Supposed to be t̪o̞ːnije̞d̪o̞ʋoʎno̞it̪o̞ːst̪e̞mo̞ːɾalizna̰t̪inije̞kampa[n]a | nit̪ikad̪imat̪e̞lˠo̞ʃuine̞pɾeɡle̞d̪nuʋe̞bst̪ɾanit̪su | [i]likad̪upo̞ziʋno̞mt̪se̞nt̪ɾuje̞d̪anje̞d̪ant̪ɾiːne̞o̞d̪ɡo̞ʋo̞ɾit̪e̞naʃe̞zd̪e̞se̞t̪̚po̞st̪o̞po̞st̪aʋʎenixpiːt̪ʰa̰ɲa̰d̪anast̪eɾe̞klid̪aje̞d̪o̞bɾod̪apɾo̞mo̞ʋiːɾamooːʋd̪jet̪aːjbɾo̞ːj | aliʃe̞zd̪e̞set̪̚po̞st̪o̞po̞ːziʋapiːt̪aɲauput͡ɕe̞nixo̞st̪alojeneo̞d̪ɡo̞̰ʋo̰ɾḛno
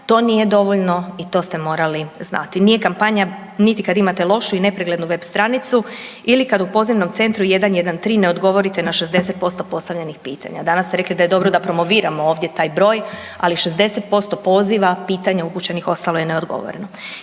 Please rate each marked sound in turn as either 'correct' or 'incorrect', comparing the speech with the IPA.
incorrect: ɲ, correct

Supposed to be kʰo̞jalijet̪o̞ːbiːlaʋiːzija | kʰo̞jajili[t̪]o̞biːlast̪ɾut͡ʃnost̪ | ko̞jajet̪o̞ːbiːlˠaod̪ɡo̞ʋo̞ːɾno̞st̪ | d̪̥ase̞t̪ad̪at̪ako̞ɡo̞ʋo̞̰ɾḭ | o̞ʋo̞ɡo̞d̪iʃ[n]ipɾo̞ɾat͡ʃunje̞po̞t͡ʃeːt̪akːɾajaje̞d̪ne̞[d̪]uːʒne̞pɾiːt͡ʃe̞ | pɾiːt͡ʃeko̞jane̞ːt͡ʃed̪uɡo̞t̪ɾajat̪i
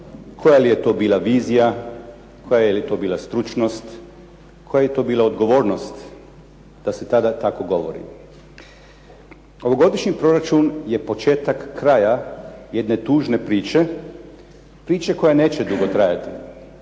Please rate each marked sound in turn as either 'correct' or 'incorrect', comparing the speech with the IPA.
correct, incorrect: ɲ, incorrect: t̪

